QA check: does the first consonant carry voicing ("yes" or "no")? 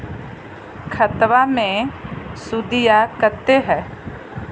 no